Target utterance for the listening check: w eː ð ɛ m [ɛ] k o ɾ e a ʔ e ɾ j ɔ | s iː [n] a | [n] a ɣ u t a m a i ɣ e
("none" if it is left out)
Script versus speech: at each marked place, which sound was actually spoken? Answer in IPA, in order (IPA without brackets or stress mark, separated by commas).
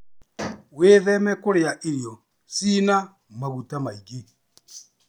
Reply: ɛ, n, m